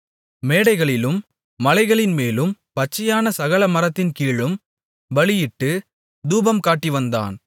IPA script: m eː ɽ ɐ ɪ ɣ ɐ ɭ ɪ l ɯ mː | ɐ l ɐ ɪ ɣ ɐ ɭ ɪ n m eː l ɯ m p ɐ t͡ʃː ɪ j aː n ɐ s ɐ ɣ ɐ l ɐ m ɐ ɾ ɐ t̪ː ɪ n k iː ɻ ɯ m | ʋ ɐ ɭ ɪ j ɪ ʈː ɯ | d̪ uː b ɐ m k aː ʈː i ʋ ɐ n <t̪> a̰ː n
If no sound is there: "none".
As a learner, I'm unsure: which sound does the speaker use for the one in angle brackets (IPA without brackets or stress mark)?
d̪